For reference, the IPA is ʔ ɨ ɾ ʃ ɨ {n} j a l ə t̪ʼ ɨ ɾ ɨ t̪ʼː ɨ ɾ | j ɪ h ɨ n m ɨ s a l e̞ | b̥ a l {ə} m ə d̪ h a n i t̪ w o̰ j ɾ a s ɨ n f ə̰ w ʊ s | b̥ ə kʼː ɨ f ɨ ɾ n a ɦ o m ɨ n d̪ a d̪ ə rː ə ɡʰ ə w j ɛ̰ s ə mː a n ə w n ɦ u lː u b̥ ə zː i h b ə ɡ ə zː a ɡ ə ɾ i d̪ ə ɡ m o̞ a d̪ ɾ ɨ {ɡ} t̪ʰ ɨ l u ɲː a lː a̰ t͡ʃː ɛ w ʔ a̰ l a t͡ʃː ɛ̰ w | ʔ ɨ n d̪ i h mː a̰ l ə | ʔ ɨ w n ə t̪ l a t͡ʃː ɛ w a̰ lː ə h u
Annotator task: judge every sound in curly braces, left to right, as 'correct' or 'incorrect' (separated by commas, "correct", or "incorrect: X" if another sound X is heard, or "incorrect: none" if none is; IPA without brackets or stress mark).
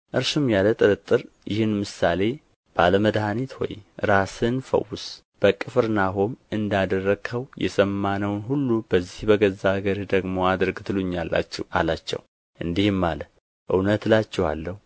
incorrect: m, correct, correct